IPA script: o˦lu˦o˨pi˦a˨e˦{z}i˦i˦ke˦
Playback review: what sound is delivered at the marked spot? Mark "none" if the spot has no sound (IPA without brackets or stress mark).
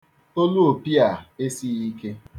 s